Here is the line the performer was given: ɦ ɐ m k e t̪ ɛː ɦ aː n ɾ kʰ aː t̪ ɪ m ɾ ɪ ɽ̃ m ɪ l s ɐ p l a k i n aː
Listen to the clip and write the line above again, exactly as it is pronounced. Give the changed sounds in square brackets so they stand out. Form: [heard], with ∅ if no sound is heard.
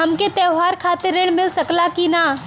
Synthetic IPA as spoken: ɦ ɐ m k e t̪ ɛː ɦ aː [∅] ɾ kʰ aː t̪ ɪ [∅] ɾ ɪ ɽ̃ m ɪ l s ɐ [k] l a k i n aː